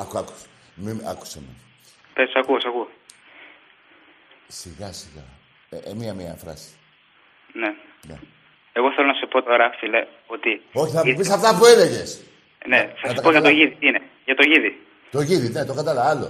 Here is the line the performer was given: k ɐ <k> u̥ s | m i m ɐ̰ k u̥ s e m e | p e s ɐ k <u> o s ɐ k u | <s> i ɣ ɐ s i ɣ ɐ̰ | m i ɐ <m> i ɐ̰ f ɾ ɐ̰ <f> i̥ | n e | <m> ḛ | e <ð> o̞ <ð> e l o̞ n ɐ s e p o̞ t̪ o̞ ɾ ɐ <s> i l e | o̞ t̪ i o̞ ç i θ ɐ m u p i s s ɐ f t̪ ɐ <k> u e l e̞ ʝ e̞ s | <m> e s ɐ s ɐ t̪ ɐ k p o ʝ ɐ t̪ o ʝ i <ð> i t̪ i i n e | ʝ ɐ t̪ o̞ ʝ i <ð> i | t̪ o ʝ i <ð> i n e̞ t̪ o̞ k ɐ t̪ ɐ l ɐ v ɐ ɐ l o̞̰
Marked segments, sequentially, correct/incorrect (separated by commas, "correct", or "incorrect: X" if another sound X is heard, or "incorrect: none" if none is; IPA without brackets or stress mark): correct, correct, correct, correct, incorrect: s, incorrect: n, incorrect: ɣ, incorrect: θ, incorrect: f, incorrect: p, incorrect: n, correct, correct, correct